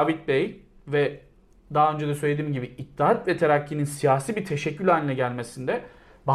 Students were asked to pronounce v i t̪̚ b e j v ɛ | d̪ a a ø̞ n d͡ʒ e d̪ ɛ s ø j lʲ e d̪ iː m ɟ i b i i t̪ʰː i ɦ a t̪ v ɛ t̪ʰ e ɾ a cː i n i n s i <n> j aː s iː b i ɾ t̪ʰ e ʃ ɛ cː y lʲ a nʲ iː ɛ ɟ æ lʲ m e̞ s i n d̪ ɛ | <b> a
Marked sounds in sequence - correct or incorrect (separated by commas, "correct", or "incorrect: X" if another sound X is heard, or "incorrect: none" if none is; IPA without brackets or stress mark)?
incorrect: none, correct